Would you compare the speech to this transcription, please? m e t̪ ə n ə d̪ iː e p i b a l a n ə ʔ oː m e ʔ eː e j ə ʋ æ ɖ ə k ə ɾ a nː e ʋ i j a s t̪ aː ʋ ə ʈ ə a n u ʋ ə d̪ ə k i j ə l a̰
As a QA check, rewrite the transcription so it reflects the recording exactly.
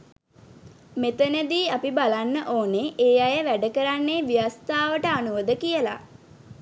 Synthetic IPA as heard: m e t̪ ə n ə d̪ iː a p i b a l a nː ə ʔ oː n e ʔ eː a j ə ʋ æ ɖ ə k ə ɾ a nː e ʋ i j a s t̪ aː ʋ ə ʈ ə a n u ʋ ə d̪ ə k i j ə l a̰